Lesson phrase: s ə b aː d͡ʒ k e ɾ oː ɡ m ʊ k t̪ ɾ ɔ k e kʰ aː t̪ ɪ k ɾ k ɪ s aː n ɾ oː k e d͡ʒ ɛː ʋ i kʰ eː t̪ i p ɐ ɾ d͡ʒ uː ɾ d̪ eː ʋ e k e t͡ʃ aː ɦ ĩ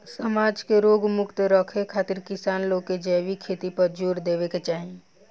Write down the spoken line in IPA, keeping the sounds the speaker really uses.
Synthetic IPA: s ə m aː d͡ʒ k e ɾ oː ɡ m ʊ k t̪ ɾ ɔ kʰ e kʰ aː t̪ ɪ ɾ k ɪ s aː n l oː k e d͡ʒ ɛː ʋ i kʰ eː t̪ i p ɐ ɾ d͡ʒ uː ɾ d̪ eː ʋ e k e t͡ʃ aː ɦ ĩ